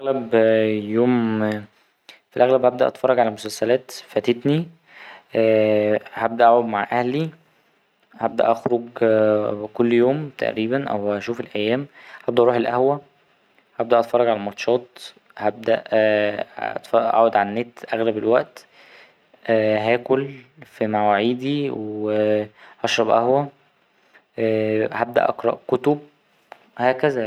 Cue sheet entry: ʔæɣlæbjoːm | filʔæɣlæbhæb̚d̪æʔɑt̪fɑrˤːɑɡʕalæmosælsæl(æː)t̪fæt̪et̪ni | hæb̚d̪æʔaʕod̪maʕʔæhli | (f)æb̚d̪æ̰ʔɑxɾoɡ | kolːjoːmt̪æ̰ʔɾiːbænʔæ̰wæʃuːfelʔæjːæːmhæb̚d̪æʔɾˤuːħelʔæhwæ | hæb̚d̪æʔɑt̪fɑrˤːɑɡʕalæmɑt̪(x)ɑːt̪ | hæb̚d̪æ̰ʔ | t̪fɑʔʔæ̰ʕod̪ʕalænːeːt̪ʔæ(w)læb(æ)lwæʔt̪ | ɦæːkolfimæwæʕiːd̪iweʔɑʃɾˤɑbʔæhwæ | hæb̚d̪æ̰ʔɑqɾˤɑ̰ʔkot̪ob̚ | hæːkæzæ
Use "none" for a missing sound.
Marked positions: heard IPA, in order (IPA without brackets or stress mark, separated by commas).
æː, h, ʃ, ɣ, e